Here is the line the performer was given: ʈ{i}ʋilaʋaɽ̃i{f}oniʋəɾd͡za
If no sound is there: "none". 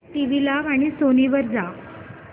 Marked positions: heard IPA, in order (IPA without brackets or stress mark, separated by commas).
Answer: i, s